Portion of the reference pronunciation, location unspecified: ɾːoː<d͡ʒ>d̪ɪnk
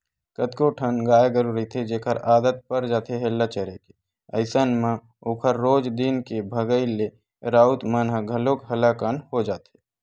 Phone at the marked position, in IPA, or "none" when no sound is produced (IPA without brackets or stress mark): d͡ʒ